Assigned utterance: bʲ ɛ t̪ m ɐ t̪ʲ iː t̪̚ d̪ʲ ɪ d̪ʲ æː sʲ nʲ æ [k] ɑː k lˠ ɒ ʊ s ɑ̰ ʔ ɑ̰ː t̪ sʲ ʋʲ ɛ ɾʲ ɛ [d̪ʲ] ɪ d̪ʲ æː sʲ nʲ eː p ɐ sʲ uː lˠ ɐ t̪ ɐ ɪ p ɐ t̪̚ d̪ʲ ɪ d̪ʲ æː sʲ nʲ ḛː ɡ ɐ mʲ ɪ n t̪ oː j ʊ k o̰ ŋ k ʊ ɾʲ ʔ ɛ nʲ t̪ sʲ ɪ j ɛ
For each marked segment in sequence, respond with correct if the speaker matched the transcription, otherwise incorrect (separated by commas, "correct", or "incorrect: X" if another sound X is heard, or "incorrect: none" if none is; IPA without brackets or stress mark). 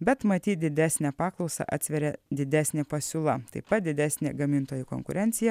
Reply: incorrect: p, correct